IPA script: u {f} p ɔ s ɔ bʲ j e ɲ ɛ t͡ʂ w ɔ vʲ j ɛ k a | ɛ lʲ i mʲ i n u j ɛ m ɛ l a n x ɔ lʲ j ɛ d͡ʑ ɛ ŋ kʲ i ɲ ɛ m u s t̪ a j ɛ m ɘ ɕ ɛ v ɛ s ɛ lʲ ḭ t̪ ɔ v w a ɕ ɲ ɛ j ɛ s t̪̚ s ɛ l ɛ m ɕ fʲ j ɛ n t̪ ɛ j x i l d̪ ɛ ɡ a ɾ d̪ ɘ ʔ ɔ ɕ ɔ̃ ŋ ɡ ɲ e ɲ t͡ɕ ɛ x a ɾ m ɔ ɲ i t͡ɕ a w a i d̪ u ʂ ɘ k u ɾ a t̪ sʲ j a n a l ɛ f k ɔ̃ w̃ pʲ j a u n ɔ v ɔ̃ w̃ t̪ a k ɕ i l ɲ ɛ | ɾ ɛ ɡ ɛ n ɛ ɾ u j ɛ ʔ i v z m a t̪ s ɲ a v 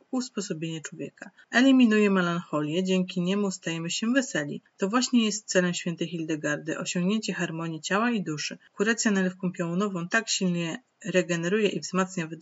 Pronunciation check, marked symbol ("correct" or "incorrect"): incorrect